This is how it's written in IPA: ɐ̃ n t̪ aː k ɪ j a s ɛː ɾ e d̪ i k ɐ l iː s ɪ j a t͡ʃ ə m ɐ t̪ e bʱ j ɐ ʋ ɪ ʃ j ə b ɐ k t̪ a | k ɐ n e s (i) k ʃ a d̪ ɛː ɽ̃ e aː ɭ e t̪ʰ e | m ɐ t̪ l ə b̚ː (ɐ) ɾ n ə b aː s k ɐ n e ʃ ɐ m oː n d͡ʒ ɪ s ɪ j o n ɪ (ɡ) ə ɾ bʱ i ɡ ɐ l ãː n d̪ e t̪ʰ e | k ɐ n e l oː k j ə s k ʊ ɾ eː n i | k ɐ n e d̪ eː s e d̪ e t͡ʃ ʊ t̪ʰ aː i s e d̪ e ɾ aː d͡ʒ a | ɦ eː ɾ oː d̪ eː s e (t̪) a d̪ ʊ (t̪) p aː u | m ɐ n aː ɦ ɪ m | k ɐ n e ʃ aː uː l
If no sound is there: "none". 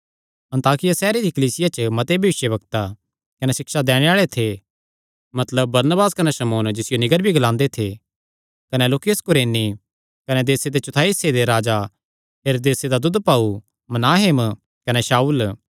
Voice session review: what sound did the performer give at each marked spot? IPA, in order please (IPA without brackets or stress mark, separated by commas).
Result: ɪ, ɐ, ɡ, d̪, d̪